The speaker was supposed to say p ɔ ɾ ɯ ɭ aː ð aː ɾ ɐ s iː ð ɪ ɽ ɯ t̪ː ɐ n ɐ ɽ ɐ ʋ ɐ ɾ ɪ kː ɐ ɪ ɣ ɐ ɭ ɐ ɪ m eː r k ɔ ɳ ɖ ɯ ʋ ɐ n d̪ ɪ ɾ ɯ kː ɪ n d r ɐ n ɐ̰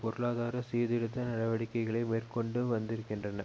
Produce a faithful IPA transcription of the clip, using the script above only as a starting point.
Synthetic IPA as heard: p ɔ ɾ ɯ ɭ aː ð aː ɾ ɐ s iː ð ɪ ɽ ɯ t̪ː ɐ n ɐ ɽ ɐ ʋ ɐ ɽ ɪ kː ɐ ɪ ɣ ɐ ɭ ɐ ɪ m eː r k ɔ ɳ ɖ ɯ ʋ ɐ n d̪ ɪ ɾ ɯ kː ɪ n d r ɐ n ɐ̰